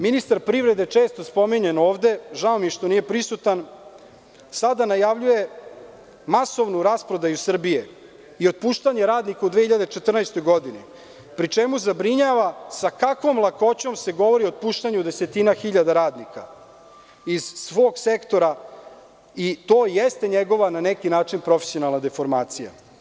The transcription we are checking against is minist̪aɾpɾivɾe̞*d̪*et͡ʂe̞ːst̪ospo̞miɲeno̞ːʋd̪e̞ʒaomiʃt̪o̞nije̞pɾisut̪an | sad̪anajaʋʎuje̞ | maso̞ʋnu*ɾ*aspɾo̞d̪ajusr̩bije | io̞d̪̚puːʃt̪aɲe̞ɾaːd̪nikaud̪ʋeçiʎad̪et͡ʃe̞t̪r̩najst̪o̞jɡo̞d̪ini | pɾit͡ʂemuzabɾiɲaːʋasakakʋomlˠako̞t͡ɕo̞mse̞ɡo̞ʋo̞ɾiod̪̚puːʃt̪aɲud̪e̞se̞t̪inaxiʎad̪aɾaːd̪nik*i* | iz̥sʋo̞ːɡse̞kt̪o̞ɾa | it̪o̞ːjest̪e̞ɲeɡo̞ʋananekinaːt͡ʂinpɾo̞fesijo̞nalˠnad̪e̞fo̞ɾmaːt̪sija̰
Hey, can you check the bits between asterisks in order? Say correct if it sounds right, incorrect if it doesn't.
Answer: correct, correct, incorrect

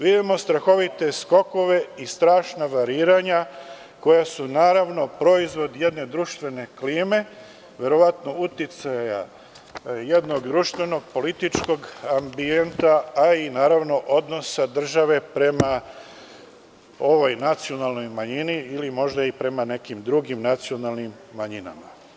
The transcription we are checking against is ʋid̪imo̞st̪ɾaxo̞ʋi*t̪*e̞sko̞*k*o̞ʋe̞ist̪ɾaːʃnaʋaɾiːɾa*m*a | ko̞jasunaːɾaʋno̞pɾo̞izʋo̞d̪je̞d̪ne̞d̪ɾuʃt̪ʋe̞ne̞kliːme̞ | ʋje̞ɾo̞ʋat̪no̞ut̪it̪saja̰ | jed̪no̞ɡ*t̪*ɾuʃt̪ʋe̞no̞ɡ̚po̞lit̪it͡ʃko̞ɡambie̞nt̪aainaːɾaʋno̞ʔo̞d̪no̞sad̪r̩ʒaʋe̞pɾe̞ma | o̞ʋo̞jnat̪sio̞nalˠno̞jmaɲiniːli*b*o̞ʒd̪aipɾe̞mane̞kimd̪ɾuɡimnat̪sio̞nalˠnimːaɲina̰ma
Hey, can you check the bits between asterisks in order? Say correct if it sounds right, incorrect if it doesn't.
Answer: correct, correct, incorrect, incorrect, incorrect

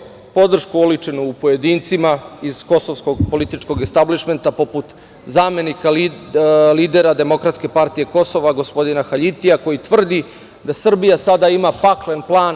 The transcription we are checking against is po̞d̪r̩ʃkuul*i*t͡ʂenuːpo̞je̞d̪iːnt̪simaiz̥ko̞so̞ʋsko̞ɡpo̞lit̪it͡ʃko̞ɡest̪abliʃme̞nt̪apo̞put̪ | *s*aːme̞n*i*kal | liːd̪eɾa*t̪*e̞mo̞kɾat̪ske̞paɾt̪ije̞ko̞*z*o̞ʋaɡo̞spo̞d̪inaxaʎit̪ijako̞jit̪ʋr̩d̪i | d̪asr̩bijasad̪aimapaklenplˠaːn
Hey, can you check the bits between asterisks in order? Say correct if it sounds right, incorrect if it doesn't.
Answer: correct, incorrect, correct, incorrect, incorrect

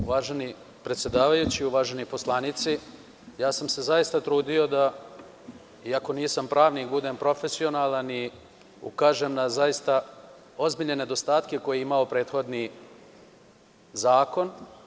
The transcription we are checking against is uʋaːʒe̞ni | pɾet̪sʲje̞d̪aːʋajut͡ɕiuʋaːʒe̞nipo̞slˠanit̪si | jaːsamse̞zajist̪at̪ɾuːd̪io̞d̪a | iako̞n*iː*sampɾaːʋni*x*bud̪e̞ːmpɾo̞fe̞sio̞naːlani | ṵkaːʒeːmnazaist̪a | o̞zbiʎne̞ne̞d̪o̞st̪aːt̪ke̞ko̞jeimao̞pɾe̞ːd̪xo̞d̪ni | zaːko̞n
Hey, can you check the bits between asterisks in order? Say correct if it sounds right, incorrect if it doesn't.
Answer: correct, incorrect

